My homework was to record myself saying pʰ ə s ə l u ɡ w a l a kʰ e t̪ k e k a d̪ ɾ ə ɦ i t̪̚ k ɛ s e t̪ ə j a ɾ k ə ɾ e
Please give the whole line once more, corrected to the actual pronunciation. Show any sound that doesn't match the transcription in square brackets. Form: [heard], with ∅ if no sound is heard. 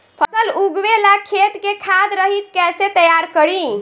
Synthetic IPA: pʰ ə s ə l u ɡ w [e] l a kʰ e t̪ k e [kʰ] a d̪ ɾ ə ɦ i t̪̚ k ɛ s e t̪ ə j a ɾ k ə ɾ [i]

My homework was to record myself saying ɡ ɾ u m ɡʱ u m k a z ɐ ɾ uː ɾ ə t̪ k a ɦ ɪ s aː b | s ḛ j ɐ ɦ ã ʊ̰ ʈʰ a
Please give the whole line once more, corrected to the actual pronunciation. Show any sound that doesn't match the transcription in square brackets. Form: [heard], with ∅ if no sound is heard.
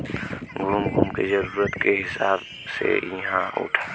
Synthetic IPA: ɡ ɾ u m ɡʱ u m k [e] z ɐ ɾ uː ɾ ə t̪ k [e] ɦ ɪ s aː b | s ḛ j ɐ ɦ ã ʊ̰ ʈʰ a

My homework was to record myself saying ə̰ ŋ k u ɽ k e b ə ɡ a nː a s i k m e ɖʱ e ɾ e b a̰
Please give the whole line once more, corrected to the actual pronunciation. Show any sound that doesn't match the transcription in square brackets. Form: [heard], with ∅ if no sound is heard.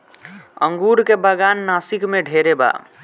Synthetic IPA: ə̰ ŋ [ɡ] u [ɾ] k e b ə ɡ a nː a s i k m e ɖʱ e ɾ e b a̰

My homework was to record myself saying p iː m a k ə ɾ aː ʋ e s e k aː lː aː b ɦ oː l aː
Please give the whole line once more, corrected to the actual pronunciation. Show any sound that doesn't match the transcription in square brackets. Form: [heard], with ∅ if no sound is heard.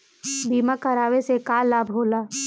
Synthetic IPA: [b] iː m a k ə ɾ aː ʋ e s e k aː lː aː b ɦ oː l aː

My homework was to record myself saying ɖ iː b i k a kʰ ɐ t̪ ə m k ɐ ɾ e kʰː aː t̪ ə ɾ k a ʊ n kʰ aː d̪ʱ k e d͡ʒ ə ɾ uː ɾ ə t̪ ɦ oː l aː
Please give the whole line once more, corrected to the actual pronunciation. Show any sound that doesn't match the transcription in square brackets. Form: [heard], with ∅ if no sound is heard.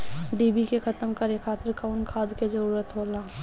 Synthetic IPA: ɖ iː b i k [e] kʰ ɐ t̪ ə m k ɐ ɾ e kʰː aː t̪ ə ɾ k a ʊ n kʰ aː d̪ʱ k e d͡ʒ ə ɾ uː ɾ ə t̪ ɦ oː l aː

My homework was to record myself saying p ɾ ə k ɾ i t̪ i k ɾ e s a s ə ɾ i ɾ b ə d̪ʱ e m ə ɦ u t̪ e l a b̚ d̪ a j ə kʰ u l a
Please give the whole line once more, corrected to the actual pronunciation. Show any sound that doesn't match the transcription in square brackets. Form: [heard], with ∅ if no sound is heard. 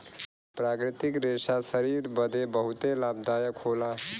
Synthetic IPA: p ɾ [a] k ɾ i t̪ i k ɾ e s a s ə ɾ i ɾ b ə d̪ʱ e [b] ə ɦ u t̪ e l a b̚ d̪ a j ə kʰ [o] l a

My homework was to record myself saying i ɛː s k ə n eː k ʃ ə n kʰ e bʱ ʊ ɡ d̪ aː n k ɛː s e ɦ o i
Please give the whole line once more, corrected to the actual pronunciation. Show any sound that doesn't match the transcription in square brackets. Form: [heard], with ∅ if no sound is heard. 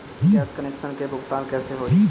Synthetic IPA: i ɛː s k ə n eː k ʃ ə n [k] e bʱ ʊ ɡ [t̪] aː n k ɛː s e ɦ o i

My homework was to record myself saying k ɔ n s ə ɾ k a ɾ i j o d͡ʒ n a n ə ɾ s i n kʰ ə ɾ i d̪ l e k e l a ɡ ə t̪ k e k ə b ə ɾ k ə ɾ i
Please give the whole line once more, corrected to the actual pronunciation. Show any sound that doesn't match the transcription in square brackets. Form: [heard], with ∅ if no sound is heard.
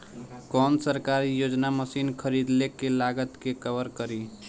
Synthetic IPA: k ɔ n s ə ɾ k a ɾ i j o d͡ʒ n a [m] ə [∅] s i n kʰ ə ɾ i d̪ l e k e l a ɡ ə t̪ k e k ə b ə ɾ k ə ɾ i

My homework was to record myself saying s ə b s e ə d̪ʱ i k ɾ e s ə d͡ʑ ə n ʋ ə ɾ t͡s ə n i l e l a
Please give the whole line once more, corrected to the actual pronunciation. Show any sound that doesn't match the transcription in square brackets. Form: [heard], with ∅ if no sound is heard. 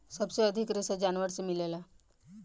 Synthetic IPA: s ə b s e ə d̪ʱ i k ɾ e s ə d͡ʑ [a] n ʋ ə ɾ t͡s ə [m] i l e l a

